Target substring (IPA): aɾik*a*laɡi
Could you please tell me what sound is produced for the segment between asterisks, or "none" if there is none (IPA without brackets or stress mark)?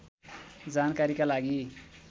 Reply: a